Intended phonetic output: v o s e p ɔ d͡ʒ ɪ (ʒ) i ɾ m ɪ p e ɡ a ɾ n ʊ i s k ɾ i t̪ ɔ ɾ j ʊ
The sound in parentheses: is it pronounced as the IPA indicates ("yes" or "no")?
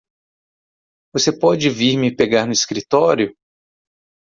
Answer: no